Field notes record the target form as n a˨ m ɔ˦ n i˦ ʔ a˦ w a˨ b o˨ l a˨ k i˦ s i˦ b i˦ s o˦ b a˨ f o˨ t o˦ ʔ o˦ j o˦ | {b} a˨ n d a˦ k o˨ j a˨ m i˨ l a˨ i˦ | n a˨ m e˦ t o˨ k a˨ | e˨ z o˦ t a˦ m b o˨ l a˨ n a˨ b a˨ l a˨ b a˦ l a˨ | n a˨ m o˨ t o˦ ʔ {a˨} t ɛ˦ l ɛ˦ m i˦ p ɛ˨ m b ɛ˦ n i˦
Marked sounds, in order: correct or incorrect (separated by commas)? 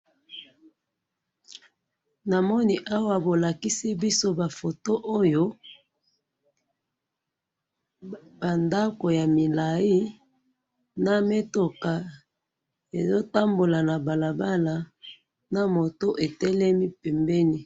correct, incorrect